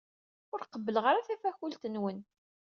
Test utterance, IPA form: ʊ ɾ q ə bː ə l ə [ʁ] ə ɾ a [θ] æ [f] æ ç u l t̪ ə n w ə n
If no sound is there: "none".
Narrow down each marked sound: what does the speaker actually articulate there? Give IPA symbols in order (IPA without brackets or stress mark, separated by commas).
ʁ, θ, f